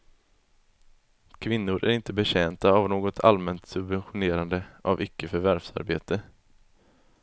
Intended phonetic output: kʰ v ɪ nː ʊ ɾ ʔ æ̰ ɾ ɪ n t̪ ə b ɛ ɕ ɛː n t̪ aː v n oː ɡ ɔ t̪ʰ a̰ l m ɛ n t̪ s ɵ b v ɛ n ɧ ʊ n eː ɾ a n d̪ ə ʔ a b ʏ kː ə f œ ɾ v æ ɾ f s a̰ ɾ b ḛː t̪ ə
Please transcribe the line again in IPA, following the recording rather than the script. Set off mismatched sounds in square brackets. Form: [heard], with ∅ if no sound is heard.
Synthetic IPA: kʰ v ɪ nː ʊ ɾ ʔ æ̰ ɾ ɪ n t̪ ə b ɛ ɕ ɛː n t̪ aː v n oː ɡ ɔ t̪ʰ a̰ l m ɛ n t̪ s ɵ b v ɛ n ɧ ʊ n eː ɾ a n d̪ ə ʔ a [v] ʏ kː ə f œ ɾ v æ ɾ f s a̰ ɾ b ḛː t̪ ə